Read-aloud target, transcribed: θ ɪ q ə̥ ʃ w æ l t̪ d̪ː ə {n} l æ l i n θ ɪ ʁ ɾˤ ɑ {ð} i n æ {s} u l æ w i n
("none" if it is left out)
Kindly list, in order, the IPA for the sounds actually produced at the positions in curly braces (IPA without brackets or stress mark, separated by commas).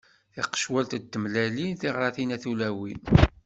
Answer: m, θ, θ